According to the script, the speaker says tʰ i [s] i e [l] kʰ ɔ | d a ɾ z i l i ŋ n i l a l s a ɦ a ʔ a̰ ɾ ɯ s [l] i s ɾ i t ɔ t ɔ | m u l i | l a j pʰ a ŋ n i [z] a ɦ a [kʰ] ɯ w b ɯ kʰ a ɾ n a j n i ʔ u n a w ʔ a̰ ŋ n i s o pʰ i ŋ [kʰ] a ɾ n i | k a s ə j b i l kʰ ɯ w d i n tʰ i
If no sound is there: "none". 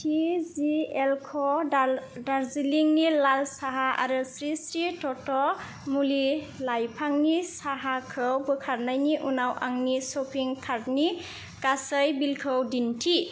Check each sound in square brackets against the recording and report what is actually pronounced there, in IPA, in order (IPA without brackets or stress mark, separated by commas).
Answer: z, l, ɾ, s, kʰ, kʰ